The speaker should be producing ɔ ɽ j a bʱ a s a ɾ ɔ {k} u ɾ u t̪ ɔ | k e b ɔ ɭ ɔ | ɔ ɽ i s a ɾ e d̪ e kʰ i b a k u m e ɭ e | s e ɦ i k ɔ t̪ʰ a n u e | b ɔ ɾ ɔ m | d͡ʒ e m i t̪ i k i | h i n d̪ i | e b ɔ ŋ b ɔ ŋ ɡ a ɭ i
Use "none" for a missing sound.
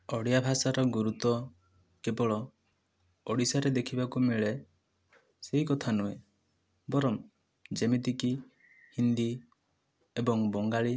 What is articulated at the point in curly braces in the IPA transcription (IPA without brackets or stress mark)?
ɡ